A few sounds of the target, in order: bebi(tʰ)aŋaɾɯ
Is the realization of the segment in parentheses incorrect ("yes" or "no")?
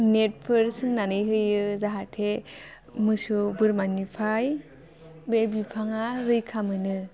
yes